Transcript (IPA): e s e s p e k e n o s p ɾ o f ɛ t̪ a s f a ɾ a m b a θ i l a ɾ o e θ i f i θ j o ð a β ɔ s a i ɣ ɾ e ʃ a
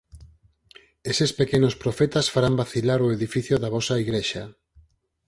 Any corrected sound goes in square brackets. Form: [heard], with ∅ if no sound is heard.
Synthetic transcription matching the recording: e s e s p e k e n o s p ɾ o f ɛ t̪ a s f a ɾ a m b a θ i l a ɾ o e [ð] i f i θ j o ð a β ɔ s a i ɣ ɾ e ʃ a